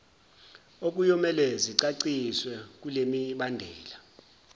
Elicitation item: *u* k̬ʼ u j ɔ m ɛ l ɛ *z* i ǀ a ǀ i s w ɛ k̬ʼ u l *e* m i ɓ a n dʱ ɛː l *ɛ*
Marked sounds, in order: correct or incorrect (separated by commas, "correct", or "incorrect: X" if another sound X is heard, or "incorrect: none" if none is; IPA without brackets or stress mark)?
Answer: incorrect: o, correct, correct, incorrect: a